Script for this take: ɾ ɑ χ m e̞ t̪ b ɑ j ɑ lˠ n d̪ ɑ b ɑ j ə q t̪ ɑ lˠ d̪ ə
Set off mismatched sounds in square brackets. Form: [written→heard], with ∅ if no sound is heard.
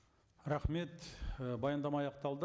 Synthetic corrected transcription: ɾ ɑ χ m e̞ t̪ b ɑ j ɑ [lˠ→∅] n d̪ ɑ [b→m] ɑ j [ə→ɑ] q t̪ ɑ lˠ d̪ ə

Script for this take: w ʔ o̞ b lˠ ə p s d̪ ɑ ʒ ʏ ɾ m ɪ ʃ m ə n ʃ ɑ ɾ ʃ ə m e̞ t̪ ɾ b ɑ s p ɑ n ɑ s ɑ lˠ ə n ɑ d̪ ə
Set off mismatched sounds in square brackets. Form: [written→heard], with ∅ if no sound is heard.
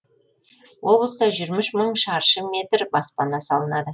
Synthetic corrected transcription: w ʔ o̞ b lˠ ə [p→∅] s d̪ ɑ ʒ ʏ ɾ m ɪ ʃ m ə [n→ɴ] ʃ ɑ ɾ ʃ ə m e̞ t̪ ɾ b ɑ s p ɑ n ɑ s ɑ lˠ ə n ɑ d̪ ə

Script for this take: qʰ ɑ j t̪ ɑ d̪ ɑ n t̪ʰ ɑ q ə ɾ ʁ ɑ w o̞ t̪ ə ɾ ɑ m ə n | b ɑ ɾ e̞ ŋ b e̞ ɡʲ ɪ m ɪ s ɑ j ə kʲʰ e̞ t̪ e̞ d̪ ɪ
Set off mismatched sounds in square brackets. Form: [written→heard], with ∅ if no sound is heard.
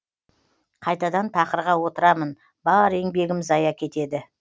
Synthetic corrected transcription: qʰ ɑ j t̪ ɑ d̪ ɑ n t̪ʰ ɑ q ə ɾ ʁ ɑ w o̞ t̪ ə ɾ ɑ m ə n | b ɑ ɾ e̞ ŋ b e̞ ɡʲ ɪ m ɪ [s→z] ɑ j [ə→ɑ] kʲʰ e̞ t̪ e̞ d̪ ɪ

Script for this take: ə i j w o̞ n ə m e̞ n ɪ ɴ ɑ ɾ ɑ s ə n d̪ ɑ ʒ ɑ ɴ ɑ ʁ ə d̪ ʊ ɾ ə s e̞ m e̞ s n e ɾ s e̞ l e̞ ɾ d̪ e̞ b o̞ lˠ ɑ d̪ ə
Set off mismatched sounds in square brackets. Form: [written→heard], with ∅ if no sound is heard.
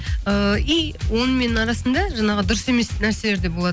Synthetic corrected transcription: ə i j w o̞ n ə m e̞ n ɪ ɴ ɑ ɾ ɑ s ə n d̪ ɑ ʒ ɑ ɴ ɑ ʁ ə d̪ ʊ ɾ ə s e̞ m e̞ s n [e→æ] ɾ s e̞ l e̞ ɾ d̪ e̞ b o̞ lˠ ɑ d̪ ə

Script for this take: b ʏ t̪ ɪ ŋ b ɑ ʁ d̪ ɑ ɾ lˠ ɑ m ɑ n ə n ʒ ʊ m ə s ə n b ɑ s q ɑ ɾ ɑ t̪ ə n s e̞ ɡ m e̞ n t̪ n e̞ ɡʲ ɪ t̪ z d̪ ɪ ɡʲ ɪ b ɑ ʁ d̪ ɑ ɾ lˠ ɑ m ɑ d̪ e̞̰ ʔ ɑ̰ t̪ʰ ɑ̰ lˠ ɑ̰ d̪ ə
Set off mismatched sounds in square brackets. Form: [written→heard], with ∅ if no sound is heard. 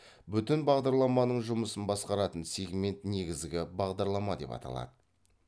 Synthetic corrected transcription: b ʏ t̪ ɪ [ŋ→n] b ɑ ʁ d̪ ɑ ɾ lˠ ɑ m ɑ n ə [n→ɴ] ʒ ʊ m ə s ə n b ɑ s q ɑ ɾ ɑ t̪ ə n s e̞ ɡ m e̞ n t̪ n e̞ ɡʲ ɪ [t̪→∅] z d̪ ɪ ɡʲ ɪ b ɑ ʁ d̪ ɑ ɾ lˠ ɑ m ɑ d̪ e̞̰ [ʔ→p] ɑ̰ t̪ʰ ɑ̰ lˠ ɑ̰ d̪ ə

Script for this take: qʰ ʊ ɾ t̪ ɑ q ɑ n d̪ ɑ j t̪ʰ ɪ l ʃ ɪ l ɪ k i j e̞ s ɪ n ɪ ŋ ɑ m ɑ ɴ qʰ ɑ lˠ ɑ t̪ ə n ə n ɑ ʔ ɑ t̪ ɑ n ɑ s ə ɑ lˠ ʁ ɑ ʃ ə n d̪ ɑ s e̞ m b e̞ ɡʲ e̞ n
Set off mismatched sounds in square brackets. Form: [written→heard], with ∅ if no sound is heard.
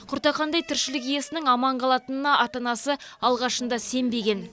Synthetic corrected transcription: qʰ ʊ ɾ t̪ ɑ q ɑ n d̪ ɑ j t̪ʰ ɪ [l→ɾ] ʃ ɪ l ɪ k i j e̞ s ɪ n ɪ ŋ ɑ m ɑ ɴ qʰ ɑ lˠ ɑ t̪ ə n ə n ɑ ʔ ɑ t̪ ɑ n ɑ s ə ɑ lˠ ʁ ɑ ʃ ə n d̪ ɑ s e̞ m b e̞ ɡʲ e̞ n

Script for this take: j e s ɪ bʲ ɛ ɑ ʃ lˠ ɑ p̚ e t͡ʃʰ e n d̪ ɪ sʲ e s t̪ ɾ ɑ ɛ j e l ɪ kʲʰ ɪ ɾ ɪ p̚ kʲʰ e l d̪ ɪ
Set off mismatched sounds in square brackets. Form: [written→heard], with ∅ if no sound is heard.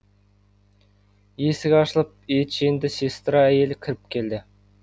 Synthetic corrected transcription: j e s ɪ [bʲ→ɡʲ] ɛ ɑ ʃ lˠ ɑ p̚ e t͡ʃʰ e n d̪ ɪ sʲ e s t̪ ɾ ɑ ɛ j e l ɪ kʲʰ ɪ ɾ ɪ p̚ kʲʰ e l d̪ ɪ

